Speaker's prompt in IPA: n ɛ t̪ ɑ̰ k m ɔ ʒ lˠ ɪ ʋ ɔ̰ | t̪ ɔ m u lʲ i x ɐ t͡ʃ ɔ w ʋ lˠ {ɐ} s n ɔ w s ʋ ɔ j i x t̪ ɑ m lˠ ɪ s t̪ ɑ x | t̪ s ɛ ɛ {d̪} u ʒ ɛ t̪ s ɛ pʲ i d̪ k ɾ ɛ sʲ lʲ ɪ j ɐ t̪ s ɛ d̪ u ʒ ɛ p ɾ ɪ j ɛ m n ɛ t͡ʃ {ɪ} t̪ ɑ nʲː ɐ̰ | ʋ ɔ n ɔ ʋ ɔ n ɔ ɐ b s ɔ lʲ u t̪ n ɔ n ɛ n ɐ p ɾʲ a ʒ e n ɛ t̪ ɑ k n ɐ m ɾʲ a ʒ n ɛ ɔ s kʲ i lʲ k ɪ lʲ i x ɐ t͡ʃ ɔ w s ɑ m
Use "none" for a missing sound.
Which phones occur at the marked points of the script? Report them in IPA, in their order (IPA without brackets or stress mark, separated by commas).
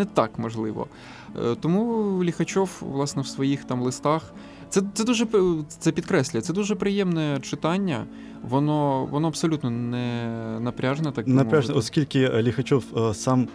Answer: ɑ, d̪, ɪ